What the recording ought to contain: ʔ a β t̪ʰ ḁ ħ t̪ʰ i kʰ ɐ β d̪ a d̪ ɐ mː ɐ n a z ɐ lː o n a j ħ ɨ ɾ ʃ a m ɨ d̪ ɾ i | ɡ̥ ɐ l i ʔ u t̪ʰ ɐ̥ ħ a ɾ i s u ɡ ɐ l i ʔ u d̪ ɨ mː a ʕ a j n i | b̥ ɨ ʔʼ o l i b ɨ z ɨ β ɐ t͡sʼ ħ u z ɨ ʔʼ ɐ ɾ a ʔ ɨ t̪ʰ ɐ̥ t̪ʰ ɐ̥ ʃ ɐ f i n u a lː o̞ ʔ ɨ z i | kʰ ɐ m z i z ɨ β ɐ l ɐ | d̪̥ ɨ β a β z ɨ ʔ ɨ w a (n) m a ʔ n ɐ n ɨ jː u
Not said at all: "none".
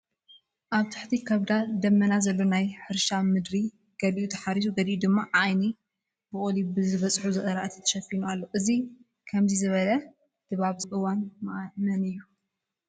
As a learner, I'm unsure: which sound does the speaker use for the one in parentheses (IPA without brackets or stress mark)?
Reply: n